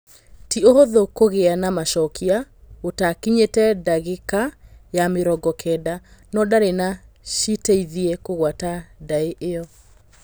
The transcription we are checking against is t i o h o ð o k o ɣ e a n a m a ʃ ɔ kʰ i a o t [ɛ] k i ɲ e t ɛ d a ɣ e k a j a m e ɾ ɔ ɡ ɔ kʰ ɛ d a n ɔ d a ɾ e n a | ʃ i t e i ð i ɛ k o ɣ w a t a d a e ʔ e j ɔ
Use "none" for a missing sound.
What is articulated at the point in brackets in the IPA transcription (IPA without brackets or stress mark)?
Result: a